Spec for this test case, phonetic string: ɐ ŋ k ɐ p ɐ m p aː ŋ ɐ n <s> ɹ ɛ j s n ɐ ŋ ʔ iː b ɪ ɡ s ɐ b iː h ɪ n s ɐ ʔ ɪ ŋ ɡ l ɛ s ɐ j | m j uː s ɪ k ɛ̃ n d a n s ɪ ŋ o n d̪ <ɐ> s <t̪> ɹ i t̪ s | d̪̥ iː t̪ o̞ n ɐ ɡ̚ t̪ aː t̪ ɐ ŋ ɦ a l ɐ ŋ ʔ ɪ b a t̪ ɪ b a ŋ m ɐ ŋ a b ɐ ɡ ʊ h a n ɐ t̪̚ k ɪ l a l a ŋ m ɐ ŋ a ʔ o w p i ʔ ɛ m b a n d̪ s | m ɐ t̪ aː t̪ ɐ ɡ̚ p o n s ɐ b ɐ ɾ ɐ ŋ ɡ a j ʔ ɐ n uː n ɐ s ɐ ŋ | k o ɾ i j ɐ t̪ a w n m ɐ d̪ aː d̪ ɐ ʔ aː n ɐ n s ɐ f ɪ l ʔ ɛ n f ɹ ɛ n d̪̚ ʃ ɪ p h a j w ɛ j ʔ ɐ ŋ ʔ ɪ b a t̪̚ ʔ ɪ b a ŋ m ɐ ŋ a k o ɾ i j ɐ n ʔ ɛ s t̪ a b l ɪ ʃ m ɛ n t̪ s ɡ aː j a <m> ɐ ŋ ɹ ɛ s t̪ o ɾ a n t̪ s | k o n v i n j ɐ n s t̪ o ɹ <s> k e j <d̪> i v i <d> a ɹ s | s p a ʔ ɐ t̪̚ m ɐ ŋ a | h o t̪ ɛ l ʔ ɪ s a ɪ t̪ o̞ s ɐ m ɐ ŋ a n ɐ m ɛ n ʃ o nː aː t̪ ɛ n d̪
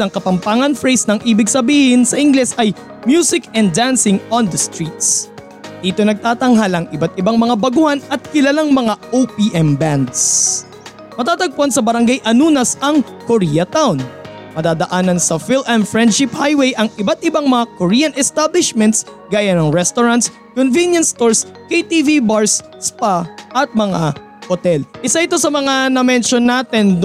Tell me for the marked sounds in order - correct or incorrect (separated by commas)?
incorrect, correct, correct, incorrect, correct, incorrect, incorrect